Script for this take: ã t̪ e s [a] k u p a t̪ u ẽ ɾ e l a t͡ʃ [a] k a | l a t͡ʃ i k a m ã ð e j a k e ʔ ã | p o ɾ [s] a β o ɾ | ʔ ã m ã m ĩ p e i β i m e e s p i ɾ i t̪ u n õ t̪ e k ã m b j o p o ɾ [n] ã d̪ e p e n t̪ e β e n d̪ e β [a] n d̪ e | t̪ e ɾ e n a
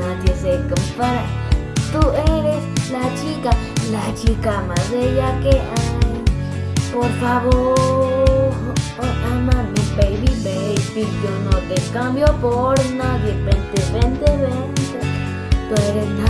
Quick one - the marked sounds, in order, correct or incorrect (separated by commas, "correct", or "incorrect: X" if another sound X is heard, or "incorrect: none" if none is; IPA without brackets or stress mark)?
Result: incorrect: e, incorrect: i, incorrect: f, correct, incorrect: e